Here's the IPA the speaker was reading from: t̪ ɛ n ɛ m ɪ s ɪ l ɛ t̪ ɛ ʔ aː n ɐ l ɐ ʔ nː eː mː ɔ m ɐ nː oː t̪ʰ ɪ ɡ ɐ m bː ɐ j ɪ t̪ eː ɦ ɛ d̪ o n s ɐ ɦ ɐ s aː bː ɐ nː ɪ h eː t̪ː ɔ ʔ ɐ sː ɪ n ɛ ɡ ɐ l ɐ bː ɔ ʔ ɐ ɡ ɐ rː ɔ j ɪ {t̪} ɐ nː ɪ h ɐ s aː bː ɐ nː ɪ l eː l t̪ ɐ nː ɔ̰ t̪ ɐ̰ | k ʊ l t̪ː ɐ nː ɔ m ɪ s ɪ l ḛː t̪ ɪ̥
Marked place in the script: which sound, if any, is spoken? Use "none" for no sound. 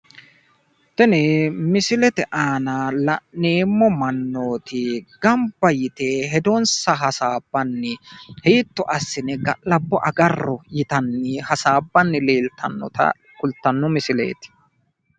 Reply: t̪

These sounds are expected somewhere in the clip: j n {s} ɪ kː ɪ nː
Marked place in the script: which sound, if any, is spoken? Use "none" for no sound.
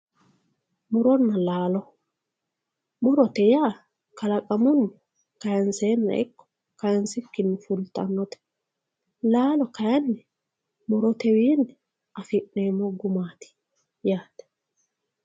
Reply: s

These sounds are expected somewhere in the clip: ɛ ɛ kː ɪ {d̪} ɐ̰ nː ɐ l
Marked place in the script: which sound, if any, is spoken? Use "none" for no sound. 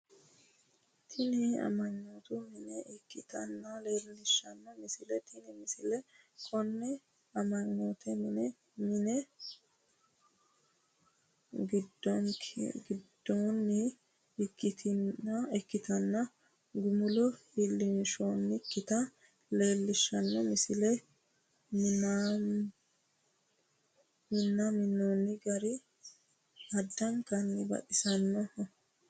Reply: t̪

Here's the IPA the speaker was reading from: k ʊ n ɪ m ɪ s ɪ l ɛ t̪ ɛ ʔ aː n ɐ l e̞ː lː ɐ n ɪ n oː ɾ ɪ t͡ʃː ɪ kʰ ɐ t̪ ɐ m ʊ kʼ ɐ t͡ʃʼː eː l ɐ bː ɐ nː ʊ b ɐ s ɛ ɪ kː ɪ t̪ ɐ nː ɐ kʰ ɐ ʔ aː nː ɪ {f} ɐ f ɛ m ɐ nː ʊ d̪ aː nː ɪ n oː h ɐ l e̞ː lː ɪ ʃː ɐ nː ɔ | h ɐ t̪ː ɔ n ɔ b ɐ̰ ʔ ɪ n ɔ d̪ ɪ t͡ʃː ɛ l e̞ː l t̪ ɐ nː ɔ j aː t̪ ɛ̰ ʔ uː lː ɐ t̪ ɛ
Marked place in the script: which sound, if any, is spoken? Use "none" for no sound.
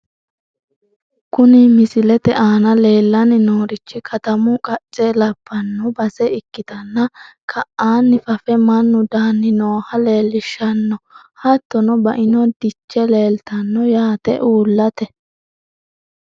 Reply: f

